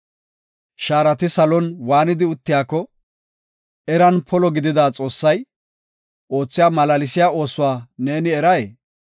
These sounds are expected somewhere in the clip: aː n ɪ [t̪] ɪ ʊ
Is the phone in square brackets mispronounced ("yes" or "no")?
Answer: yes